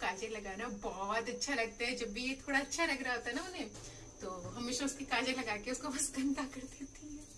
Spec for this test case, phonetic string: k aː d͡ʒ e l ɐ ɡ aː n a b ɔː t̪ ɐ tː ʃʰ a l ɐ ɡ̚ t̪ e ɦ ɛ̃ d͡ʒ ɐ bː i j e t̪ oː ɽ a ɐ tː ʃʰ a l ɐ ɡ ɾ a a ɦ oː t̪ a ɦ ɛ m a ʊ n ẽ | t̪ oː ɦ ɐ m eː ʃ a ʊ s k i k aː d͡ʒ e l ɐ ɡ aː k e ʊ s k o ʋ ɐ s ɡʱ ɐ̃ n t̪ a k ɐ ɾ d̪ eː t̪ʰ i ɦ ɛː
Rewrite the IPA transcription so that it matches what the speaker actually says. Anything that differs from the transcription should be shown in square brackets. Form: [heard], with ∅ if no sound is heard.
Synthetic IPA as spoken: k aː d͡ʒ e l ɐ ɡ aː n a b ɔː t̪ ɐ tː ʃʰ a l ɐ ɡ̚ t̪ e ɦ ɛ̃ d͡ʒ ɐ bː i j e [t̪ʰ] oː ɽ a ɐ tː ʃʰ a l ɐ ɡ ɾ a a ɦ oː t̪ a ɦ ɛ [n] a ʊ n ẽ | t̪ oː ɦ ɐ m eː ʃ a ʊ s k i k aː d͡ʒ e l ɐ ɡ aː k e ʊ s k o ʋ ɐ s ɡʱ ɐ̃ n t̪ a k ɐ ɾ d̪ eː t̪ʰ i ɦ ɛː